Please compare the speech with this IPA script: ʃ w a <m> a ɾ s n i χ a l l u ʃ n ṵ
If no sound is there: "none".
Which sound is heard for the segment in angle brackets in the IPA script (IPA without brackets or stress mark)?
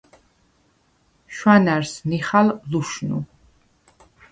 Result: n